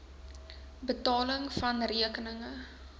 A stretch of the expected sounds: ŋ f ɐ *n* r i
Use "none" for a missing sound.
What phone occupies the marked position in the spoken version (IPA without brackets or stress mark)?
n